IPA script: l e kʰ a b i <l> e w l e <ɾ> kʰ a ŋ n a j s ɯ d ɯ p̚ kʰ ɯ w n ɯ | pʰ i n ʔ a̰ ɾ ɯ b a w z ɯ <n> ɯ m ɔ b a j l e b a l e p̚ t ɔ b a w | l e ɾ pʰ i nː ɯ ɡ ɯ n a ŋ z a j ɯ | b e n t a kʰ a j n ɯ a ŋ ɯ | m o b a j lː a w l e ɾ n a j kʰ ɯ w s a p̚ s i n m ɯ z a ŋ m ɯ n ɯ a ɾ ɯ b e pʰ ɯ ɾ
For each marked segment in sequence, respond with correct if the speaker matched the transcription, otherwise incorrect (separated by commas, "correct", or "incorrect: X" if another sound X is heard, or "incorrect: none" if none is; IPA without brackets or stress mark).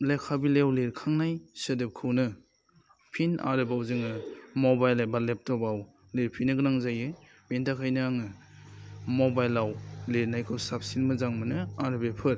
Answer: correct, correct, incorrect: ŋ